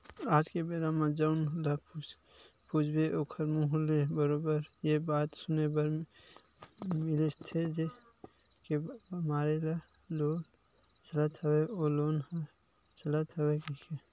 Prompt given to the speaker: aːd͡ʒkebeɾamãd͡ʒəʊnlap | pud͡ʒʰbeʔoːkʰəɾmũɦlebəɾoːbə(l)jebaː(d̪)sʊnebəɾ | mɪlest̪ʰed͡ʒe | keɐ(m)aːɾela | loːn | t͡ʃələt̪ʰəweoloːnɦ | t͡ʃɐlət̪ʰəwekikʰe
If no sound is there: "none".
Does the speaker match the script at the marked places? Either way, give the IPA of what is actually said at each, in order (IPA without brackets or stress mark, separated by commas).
ɾ, t̪, m